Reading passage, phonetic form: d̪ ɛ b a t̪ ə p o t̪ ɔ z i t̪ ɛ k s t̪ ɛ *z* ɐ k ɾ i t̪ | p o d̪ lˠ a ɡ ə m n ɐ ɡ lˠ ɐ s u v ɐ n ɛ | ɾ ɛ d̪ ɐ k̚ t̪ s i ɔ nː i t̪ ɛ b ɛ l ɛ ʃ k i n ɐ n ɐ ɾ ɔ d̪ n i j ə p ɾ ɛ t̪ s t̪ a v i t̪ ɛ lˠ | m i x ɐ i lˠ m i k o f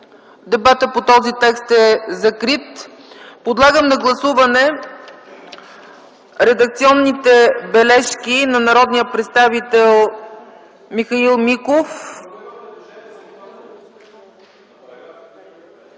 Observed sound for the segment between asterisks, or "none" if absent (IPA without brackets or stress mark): z